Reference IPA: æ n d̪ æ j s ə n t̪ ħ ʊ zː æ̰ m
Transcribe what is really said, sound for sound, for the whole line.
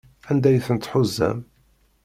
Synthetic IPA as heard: æ n d̪ æ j θ ə n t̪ ħ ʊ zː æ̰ m